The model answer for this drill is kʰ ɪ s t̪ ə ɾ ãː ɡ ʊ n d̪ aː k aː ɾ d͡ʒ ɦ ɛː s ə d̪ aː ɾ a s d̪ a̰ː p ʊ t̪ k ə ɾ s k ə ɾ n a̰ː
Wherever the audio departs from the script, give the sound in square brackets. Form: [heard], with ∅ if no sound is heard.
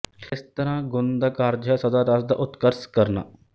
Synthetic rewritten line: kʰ ɪ s t̪ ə ɾ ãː ɡ ʊ n d̪ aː k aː ɾ d͡ʒ ɦ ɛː s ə d̪ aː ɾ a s d̪ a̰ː [ʔ] ʊ t̪ k ə ɾ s k ə ɾ n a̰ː